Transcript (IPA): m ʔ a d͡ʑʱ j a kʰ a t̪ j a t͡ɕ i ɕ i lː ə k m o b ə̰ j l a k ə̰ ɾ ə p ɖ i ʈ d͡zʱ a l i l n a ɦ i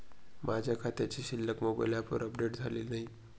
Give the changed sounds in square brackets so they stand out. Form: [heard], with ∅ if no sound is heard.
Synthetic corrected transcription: m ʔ a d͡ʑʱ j a kʰ a t̪ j a t͡ɕ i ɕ i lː ə k m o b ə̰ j l a [p] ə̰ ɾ ə p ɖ [e] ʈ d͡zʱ a l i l n a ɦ i